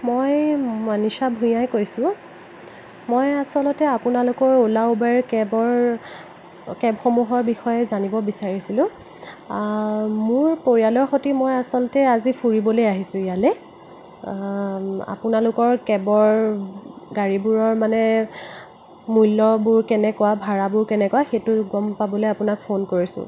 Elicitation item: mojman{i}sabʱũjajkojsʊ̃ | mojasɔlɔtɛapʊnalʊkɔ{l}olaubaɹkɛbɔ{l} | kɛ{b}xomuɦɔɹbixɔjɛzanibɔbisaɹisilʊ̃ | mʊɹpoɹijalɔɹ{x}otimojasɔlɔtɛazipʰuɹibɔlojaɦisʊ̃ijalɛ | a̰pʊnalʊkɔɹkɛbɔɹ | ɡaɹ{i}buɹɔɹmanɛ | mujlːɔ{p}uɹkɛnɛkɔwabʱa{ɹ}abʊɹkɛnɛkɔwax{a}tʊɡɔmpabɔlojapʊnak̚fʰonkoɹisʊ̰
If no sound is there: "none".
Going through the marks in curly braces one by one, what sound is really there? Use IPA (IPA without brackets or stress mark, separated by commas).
i, ɹ, ɹ, b, x, i, b, ɹ, e